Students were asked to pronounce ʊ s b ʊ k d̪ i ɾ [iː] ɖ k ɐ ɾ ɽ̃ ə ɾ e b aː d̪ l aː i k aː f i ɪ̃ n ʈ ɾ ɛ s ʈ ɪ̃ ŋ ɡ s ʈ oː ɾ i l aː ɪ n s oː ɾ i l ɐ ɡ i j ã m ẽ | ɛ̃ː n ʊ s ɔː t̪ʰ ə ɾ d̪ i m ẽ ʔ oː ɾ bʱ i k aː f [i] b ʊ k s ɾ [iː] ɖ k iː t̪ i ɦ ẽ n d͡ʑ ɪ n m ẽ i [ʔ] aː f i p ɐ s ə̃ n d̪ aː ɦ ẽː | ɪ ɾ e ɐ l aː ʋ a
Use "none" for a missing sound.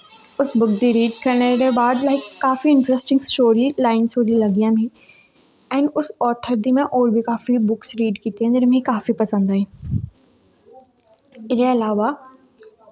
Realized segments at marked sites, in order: iː, i, iː, k

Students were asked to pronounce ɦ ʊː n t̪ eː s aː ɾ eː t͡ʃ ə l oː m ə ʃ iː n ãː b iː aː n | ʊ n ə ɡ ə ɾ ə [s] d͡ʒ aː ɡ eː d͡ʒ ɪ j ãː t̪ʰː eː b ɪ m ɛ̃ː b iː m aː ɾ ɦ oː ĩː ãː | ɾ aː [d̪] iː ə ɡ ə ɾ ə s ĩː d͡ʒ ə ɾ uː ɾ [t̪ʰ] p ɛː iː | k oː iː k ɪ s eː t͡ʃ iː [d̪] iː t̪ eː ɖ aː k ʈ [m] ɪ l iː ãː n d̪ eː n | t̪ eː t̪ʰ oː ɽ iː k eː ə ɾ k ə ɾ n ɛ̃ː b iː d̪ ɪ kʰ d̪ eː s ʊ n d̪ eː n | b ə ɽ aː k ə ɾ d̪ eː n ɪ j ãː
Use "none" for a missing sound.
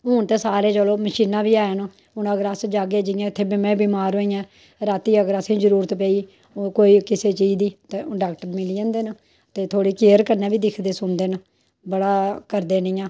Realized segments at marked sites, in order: s, t̪, t̪, d̪, m

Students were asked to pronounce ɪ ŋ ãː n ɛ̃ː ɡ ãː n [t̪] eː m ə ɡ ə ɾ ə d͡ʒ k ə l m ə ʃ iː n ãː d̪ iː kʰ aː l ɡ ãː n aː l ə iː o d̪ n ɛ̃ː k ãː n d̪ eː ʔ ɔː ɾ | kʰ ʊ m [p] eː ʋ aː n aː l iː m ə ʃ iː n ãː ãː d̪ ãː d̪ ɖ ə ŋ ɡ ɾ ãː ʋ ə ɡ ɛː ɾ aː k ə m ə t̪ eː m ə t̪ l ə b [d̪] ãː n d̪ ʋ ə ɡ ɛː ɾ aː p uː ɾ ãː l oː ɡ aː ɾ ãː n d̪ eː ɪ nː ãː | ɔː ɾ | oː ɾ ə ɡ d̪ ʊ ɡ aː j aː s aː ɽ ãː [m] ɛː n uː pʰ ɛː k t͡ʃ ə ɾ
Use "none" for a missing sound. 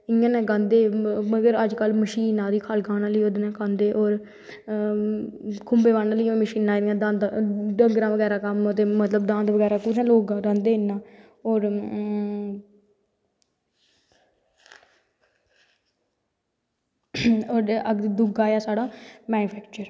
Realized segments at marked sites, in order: d̪, b, d̪, m

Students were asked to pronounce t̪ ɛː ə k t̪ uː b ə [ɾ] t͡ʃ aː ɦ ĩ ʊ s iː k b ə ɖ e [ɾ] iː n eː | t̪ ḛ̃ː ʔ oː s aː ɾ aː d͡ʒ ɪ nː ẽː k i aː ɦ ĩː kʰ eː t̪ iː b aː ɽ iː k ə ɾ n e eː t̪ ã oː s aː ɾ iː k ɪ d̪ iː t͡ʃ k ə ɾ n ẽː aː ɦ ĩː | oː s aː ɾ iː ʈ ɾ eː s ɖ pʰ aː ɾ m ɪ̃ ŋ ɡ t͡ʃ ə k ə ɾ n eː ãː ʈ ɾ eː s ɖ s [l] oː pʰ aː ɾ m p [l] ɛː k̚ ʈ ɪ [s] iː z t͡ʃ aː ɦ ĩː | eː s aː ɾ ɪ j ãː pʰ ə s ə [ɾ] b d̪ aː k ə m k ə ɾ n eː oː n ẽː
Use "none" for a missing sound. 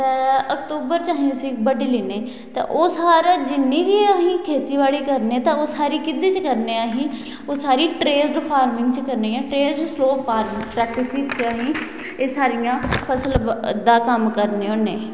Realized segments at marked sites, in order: ɾ, l, l, ɾ, s, l

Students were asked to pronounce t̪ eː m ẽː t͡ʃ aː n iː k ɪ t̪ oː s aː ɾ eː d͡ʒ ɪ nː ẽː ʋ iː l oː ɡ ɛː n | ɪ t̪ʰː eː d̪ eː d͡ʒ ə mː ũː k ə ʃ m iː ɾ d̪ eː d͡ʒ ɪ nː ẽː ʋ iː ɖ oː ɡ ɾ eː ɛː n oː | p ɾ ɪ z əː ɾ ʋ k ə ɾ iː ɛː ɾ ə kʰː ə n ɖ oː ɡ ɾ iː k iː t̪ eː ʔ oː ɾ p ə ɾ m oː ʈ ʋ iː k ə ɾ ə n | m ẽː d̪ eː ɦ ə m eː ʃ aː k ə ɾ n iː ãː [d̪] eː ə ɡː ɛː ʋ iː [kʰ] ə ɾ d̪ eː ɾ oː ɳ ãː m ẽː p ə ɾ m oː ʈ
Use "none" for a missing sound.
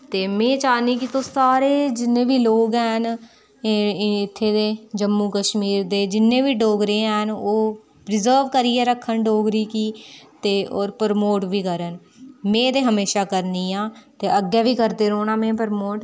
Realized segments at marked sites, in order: t̪, k

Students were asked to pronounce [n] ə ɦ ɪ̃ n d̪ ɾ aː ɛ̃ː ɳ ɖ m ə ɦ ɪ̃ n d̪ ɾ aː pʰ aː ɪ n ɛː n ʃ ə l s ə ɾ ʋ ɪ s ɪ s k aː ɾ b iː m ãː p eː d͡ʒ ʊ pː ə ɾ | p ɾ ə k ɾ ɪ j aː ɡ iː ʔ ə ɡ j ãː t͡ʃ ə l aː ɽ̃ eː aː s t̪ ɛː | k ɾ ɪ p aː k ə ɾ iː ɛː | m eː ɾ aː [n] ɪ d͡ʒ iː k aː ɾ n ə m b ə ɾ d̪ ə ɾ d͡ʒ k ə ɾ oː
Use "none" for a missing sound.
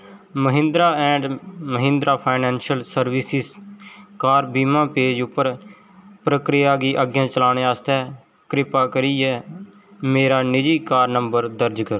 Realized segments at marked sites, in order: m, n

